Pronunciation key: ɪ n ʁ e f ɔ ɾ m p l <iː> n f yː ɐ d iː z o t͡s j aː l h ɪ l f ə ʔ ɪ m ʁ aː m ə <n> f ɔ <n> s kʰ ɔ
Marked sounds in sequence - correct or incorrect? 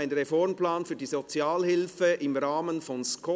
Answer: incorrect: aː, correct, correct

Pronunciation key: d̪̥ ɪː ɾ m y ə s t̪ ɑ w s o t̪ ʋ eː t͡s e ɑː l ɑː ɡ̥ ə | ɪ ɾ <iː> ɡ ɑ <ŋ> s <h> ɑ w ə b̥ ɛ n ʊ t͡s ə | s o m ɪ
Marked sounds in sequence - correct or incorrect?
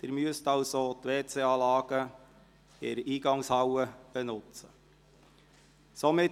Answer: correct, correct, correct

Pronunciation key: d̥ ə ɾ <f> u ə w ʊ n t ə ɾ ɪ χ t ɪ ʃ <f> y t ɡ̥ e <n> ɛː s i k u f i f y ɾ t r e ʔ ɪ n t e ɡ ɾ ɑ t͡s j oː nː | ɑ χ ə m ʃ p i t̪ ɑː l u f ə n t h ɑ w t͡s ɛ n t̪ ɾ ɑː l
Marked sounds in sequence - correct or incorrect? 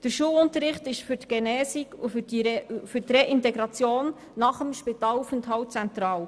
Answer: incorrect: ʃ, correct, correct

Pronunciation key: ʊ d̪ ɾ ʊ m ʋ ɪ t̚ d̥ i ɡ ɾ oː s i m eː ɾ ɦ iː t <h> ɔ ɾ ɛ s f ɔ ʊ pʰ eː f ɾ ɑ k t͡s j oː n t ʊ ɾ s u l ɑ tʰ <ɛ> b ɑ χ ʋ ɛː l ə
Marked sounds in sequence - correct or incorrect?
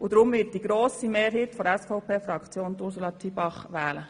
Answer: incorrect: f, incorrect: i

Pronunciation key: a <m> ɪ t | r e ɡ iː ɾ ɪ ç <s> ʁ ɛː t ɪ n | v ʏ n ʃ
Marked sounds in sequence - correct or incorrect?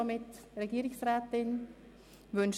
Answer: correct, correct

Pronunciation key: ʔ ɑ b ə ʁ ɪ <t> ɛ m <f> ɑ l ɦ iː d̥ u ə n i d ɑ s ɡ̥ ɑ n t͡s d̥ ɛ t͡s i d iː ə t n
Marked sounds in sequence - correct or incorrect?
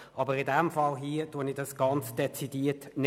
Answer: incorrect: d, correct

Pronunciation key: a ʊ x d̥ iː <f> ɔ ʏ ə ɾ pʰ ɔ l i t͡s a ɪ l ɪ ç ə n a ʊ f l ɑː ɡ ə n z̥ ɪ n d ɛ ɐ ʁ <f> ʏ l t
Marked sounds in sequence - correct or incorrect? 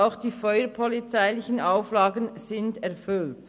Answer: correct, correct

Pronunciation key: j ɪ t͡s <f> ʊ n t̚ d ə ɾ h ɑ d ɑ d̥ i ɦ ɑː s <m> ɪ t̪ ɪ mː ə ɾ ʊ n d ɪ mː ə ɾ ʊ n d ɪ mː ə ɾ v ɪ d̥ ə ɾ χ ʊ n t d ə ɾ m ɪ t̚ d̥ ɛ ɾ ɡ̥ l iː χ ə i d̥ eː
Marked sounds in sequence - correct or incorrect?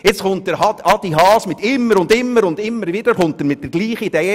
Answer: incorrect: χ, correct

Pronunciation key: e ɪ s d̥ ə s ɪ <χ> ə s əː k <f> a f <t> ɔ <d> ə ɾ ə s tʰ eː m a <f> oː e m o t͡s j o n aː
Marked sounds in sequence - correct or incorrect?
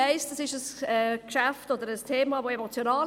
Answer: incorrect: ʃ, incorrect: ʃ, correct, correct, incorrect: v

